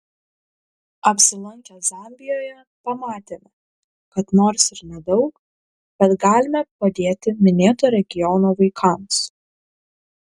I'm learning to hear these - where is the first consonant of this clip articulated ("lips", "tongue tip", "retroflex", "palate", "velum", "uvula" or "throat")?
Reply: lips